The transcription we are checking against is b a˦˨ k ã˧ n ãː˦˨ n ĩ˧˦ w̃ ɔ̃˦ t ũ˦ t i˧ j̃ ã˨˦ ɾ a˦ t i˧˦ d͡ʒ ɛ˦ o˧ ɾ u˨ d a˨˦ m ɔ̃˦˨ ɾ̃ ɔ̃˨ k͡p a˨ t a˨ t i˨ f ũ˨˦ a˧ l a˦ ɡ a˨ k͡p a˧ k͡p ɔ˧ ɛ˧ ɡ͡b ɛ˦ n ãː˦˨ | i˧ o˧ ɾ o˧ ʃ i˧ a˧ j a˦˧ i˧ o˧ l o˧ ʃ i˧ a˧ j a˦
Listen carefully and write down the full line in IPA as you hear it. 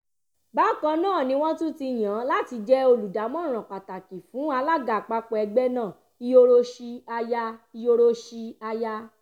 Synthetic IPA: b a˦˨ k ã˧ n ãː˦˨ n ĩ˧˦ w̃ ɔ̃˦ t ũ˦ t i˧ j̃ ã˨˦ l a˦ t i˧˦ d͡ʒ ɛ˦ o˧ l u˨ d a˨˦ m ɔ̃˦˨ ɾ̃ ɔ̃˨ k͡p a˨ t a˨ k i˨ f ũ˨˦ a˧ l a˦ ɡ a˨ k͡p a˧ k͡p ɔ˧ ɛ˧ ɡ͡b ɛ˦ n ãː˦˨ | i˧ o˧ ɾ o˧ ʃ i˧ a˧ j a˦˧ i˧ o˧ ɾ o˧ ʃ i˧ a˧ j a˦